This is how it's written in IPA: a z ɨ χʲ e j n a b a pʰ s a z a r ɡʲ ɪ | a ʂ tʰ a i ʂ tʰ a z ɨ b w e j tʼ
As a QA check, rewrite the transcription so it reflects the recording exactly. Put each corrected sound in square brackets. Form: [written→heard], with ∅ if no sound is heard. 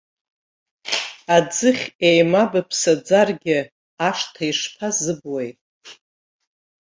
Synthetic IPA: a [z→d͡z] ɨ χʲ e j [n→m] a b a pʰ s a [z→d͡z] a r ɡʲ ɪ | a ʂ tʰ a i ʂ [tʰ→pʰ] a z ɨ b w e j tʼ